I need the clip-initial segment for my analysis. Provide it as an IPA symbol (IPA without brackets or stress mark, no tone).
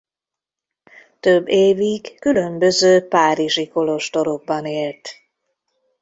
t̪